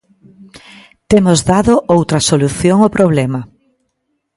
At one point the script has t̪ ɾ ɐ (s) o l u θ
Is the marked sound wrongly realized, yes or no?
no